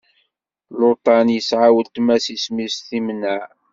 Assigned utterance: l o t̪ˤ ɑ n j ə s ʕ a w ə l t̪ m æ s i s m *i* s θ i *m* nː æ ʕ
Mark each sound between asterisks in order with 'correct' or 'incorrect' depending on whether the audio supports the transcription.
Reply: correct, correct

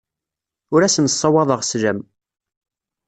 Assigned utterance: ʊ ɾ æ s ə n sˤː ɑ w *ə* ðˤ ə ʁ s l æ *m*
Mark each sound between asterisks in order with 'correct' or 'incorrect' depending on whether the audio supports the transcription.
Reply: incorrect: ɑ, correct

